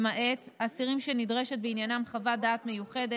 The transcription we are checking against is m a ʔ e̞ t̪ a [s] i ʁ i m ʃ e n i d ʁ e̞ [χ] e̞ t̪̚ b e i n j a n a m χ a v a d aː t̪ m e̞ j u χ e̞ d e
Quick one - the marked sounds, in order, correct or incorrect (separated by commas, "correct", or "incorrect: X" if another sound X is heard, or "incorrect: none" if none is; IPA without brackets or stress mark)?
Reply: correct, incorrect: ʃ